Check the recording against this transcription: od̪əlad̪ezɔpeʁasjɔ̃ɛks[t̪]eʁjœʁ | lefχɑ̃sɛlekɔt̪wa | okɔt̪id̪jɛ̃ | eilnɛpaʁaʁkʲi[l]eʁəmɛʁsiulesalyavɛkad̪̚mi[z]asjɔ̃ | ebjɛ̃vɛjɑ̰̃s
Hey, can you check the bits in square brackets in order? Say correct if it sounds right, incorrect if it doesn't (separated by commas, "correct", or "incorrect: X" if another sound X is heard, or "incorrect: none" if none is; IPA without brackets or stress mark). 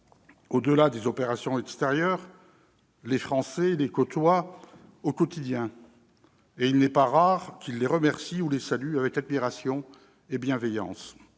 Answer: correct, incorrect: lː, incorrect: ʁ